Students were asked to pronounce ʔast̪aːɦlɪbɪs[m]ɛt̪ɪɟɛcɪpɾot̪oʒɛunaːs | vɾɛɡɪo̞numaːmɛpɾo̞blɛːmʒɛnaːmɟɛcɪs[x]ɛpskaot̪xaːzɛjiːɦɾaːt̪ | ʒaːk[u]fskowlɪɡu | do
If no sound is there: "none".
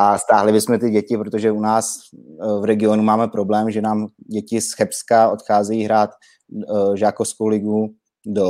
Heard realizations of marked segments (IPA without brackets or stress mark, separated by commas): m, x, o